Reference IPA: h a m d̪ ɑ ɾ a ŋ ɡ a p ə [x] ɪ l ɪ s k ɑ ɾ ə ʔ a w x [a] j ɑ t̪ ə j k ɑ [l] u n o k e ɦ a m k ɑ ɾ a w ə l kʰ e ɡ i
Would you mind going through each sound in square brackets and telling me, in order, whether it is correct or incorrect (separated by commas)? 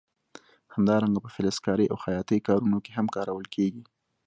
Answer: incorrect, correct, incorrect